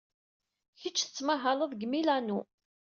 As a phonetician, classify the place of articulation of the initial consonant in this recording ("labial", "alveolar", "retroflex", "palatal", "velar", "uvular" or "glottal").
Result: palatal